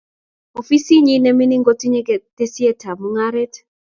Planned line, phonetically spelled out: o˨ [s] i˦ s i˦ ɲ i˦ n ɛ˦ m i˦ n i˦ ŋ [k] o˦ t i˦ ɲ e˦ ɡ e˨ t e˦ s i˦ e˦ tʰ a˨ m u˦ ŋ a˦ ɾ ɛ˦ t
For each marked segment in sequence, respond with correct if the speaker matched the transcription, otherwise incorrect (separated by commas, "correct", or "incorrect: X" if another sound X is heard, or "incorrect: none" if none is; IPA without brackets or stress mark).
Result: incorrect: f, incorrect: ɡ